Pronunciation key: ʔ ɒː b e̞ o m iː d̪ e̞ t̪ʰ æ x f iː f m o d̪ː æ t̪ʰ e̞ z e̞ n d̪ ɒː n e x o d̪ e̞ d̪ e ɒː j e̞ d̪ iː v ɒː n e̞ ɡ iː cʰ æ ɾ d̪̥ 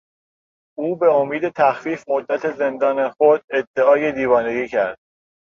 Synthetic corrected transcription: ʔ uː b e̞ o m iː d̪ e̞ t̪ʰ æ x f iː f m o d̪ː æ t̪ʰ e̞ z e̞ n d̪ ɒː n e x o d̪ e̞ d̪ː e ɒː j e̞ d̪ iː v ɒː n e̞ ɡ iː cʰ æ ɾ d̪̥